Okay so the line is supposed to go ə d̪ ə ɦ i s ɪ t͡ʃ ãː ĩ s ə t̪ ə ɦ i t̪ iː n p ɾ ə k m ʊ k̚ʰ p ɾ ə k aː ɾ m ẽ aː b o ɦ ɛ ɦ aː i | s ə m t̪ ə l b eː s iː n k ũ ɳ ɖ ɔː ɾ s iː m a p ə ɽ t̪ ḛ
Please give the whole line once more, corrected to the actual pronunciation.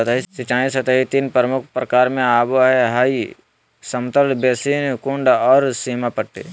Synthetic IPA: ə t̪ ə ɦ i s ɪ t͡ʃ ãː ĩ s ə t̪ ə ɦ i t̪ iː n p ɾ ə m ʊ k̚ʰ p ɾ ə k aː ɾ m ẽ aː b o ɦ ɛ ɦ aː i | s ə m t̪ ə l b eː s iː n k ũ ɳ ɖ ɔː ɾ s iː m a p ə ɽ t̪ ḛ